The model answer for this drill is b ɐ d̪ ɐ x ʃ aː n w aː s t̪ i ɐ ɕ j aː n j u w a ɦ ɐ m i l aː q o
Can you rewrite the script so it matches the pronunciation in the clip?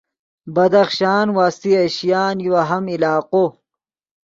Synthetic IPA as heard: b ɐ d̪ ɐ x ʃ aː n w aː s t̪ i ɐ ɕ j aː n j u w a ɦ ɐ m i l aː q o